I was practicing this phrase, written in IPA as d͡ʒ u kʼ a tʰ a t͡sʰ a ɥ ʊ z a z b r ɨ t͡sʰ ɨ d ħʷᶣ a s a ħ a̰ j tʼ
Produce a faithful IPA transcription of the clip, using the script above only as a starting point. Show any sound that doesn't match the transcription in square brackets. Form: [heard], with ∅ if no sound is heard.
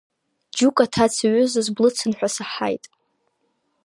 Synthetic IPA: d͡ʒ u kʼ a tʰ a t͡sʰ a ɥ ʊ z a z b [l] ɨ t͡sʰ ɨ [n] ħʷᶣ a s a ħ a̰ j tʼ